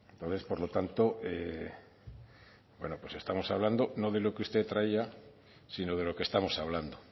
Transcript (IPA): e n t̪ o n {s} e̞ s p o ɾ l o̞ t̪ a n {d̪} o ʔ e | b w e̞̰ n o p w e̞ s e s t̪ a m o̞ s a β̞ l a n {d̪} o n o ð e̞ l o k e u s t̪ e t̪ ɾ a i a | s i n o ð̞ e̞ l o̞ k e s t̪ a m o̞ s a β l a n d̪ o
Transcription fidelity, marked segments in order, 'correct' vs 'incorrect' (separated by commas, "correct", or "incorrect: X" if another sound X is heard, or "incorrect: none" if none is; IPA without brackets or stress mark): incorrect: θ, incorrect: t̪, correct